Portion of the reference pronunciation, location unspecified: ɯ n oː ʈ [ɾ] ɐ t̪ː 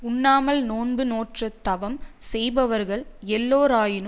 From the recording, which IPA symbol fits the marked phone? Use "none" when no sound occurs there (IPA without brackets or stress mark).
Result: r